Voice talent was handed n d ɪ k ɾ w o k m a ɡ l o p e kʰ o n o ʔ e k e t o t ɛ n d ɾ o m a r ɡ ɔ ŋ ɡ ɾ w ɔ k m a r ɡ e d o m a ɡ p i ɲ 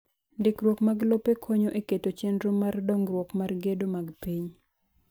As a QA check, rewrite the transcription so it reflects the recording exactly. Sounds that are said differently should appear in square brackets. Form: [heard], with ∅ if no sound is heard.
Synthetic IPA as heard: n d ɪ k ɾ w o k m a ɡ l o p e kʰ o [ɲ] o ʔ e k e t o [t͡ʃ] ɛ n d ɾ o m a r [d] ɔ ŋ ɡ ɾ w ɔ k m a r ɡ e d o m a ɡ p i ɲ